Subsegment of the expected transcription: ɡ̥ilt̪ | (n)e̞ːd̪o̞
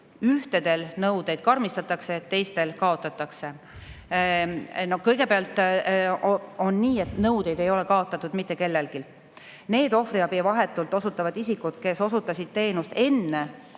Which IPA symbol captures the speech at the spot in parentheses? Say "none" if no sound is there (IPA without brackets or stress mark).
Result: n